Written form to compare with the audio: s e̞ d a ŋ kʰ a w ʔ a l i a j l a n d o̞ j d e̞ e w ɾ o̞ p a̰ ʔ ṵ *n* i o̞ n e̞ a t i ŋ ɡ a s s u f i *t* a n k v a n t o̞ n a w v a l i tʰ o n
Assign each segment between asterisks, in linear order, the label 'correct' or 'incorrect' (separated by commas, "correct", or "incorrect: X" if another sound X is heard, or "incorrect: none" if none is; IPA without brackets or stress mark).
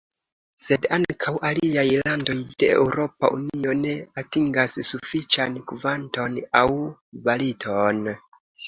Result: correct, incorrect: t͡ʃ